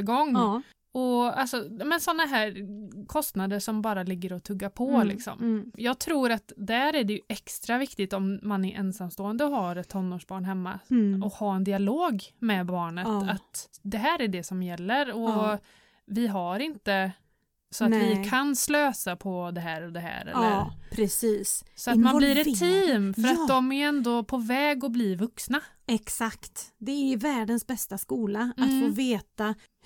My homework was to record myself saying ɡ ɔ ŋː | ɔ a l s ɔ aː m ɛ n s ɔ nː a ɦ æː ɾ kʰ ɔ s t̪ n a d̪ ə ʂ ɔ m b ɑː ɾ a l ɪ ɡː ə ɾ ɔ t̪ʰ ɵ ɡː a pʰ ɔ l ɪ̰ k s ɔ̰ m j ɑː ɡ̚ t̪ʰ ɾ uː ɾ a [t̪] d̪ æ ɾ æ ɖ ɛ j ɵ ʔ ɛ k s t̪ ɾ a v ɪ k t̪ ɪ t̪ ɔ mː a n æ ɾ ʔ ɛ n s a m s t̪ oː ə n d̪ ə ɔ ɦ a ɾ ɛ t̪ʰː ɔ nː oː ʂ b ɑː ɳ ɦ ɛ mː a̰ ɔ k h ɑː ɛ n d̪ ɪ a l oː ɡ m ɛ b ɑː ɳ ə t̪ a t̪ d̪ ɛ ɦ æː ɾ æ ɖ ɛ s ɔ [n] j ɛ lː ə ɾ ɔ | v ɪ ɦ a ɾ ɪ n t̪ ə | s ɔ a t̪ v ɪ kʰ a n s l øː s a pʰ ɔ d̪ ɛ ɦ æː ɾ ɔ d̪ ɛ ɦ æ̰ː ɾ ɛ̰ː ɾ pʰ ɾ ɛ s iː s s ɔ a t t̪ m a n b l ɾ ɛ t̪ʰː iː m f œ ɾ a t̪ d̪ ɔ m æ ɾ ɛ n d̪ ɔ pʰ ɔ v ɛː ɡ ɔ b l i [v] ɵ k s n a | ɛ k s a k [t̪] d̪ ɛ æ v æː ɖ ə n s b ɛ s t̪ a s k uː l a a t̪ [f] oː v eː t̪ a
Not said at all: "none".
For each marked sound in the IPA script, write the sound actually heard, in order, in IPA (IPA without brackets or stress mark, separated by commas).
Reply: t̪, m, v, t̪, f